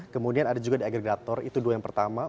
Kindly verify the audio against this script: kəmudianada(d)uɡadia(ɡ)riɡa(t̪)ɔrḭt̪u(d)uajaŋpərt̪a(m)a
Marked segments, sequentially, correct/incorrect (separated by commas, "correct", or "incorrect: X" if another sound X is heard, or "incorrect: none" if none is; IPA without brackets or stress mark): incorrect: d͡ʒ, correct, correct, correct, correct